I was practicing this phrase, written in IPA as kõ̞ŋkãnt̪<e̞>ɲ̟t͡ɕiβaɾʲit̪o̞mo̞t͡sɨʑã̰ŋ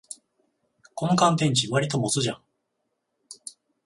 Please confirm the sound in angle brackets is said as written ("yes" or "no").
no